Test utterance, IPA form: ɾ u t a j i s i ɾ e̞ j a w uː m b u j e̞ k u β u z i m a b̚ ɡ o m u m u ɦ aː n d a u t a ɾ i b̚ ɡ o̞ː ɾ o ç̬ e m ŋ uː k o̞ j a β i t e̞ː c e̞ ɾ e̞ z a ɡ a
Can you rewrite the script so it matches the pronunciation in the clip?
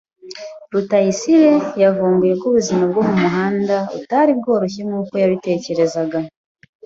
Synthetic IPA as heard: ɾ u t a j i s i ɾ e̞ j a v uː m b u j e̞ k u β u z i m a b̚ ɡ o m u m u ɦ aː n d a u t a ɾ i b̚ ɡ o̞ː ɾ o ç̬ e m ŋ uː k o̞ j a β i t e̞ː c e̞ ɾ e̞ z a ɡ a